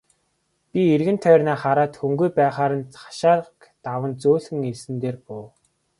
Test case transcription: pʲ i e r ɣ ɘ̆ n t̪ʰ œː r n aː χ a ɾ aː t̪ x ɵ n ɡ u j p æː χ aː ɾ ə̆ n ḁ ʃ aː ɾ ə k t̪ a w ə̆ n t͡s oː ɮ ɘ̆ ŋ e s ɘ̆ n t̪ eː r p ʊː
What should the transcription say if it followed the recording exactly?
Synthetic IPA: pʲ i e r ɣ ɘ̆ n t̪ʰ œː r n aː χ a ɾ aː t̪ x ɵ ŋ ɡ u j p æː χ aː ɾ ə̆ n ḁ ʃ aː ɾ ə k t̪ a w ə̆ n t͡s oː ɮ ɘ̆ ŋ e s ɘ̆ n t̪ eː r p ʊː